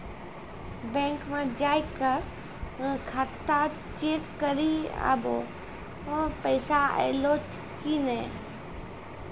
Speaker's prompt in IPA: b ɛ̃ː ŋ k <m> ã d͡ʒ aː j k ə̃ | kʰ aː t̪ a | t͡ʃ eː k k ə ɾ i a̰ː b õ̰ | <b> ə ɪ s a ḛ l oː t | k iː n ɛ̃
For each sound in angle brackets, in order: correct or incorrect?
correct, incorrect: p

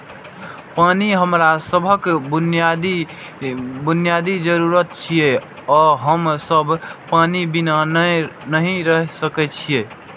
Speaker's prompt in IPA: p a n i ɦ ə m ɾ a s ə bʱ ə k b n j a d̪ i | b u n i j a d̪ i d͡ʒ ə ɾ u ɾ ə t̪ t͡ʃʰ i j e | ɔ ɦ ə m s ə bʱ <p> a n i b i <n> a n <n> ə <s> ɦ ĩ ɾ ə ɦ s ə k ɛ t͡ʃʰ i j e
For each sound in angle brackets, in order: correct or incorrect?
correct, correct, correct, incorrect: none

